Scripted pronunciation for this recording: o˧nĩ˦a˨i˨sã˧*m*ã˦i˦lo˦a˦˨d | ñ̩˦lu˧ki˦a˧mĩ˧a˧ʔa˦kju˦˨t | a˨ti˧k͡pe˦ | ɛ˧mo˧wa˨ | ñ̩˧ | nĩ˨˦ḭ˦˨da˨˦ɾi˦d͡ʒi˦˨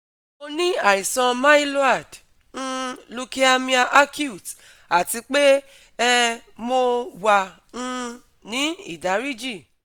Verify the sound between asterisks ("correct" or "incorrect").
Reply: correct